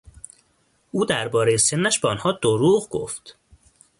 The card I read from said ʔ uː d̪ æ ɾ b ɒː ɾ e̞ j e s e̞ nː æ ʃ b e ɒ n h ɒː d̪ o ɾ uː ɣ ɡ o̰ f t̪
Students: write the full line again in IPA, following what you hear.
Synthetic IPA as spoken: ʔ uː d̪ æ ɾ b ɒː ɾ e̞ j e s e̞ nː æ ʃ b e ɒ n h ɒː d̪ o ɾ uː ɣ ɡ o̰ f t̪